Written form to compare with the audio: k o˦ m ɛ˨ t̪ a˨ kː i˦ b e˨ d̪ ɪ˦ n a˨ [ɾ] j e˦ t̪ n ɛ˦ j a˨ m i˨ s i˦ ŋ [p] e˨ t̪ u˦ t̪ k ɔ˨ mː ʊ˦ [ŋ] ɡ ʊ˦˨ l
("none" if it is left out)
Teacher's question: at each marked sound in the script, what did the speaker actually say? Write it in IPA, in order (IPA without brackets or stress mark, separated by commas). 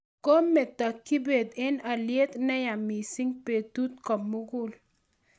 l, p, none